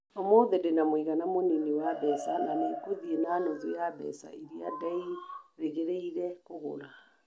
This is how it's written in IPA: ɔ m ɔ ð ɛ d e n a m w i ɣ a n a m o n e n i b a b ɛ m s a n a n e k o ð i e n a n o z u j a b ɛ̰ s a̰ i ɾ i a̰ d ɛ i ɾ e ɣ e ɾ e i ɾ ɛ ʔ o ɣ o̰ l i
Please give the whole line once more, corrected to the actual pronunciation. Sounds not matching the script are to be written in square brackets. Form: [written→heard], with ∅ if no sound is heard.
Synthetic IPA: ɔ m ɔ ð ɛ d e n a m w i ɣ a n a m o n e n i [b→w] a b ɛ [m→∅] s a n a n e k o ð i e n a n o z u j a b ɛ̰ s a̰ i ɾ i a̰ d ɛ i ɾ e ɣ e ɾ e i ɾ ɛ [ʔ→k] o ɣ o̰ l [i→a]

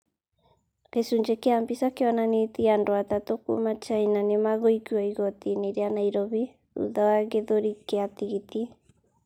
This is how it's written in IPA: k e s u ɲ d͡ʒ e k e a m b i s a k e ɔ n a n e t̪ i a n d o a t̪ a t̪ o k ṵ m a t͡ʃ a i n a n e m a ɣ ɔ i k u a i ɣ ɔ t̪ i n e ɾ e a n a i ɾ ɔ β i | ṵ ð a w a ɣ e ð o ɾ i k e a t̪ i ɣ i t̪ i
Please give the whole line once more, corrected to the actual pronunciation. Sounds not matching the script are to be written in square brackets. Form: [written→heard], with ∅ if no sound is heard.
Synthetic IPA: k e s u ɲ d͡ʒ e k e a m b i s a k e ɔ n a n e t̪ i a n d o a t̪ a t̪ o k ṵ m a t͡ʃ a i n a n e m a ɣ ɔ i k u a i ɣ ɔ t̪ i n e ɾ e a n a i ɾ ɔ β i | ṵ ð a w a ɣ e ð o ɾ i k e a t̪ i ɣ i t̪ i

